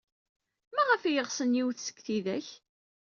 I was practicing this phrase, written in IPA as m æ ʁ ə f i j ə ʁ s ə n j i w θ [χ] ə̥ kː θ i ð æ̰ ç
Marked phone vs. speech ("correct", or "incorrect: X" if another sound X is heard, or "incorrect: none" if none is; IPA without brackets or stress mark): incorrect: s